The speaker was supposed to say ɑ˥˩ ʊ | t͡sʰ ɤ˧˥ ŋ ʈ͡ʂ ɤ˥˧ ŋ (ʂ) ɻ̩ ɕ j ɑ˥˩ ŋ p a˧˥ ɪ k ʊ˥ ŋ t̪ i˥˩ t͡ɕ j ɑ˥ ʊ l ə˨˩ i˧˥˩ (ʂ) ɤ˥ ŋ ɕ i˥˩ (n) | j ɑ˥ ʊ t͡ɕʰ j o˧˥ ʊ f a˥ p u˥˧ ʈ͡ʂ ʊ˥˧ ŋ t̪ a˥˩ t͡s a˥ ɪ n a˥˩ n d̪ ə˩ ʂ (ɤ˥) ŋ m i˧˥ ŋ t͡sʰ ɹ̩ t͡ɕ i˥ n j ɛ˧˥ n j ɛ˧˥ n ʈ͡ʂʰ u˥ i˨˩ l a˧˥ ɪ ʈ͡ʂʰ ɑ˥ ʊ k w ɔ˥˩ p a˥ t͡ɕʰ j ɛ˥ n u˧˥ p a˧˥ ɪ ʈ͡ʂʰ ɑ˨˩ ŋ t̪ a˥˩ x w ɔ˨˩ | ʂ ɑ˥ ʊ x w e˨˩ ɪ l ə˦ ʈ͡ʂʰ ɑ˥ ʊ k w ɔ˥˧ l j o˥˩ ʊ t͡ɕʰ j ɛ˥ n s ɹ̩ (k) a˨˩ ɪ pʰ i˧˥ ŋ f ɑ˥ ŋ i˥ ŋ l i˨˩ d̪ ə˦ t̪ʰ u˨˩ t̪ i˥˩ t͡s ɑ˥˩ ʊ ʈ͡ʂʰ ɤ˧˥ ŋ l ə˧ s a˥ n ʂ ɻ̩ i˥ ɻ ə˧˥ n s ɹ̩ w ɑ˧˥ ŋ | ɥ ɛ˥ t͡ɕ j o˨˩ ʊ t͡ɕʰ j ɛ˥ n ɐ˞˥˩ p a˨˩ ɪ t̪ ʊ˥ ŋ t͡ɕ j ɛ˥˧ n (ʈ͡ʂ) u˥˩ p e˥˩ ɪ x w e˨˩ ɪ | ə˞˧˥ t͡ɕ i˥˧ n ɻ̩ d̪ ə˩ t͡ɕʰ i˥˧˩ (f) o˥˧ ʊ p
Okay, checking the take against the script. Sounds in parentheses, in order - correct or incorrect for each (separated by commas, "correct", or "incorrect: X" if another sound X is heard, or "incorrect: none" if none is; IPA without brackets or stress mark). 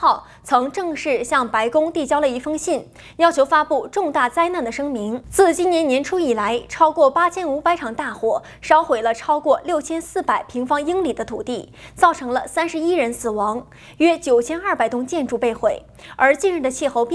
correct, incorrect: f, correct, correct, incorrect: p, correct, incorrect: x